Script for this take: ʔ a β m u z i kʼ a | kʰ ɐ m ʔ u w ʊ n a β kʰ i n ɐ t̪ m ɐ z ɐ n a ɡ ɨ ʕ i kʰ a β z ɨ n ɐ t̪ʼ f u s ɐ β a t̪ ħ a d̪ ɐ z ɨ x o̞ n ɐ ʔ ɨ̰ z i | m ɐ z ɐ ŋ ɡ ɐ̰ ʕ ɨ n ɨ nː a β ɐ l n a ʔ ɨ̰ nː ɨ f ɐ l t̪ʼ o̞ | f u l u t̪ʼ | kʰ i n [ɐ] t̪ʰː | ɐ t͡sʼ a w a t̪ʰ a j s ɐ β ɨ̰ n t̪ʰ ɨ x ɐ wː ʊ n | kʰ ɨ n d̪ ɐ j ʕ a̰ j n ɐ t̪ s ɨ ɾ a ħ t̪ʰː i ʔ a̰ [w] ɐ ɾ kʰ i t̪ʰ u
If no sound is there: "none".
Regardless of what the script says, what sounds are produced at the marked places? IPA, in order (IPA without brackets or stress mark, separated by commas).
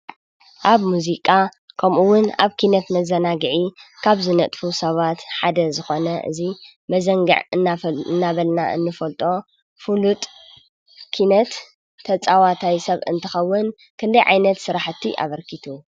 ɐ, β